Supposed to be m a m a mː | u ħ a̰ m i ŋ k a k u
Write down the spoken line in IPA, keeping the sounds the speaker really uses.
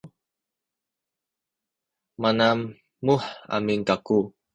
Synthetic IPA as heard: m a n a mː | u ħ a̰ m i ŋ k a k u